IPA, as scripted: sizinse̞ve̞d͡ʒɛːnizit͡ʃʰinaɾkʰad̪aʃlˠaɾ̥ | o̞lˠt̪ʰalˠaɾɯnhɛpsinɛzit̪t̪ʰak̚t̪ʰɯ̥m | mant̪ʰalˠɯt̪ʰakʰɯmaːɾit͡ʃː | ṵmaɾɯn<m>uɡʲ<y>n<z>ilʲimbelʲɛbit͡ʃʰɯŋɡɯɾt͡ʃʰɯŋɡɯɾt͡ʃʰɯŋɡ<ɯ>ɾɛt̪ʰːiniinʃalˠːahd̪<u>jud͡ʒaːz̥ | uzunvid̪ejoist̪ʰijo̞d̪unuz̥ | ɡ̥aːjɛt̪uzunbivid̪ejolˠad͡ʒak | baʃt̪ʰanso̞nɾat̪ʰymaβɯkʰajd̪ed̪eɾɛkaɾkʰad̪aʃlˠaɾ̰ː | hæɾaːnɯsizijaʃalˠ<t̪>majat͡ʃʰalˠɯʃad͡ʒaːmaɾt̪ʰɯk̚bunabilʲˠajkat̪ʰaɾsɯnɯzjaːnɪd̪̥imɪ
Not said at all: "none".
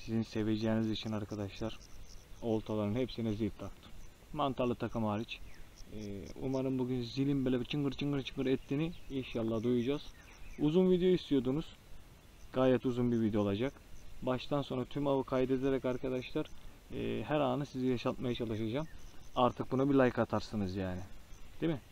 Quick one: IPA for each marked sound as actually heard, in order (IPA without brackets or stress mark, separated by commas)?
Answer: b, y, z, ɯ, u, t̪